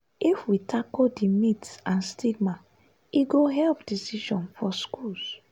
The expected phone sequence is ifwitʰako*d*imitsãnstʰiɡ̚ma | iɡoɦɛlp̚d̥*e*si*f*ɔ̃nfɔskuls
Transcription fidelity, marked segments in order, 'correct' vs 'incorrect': correct, incorrect: i, incorrect: ʃ

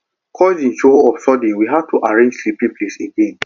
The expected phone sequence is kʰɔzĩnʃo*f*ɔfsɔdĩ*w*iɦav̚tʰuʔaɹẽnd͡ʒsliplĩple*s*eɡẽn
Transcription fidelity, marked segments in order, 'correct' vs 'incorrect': incorrect: none, correct, correct

